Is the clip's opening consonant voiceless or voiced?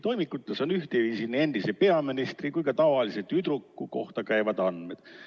voiceless